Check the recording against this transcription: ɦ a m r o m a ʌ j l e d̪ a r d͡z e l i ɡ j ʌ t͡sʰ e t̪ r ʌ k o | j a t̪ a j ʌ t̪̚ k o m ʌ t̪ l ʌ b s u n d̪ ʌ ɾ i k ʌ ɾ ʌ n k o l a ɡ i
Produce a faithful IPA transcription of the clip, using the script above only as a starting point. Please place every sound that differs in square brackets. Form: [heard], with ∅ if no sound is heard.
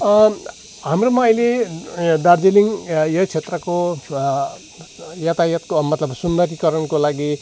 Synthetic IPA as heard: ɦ a m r o m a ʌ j l e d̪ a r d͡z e l i [ŋ] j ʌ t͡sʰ e t̪ r ʌ k o | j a t̪ a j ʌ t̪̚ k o m ʌ t̪ l ʌ b s u n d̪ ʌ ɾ i k ʌ ɾ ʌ n k o l a ɡ i